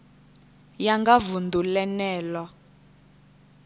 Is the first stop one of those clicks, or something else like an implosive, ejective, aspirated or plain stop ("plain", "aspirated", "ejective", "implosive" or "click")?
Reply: plain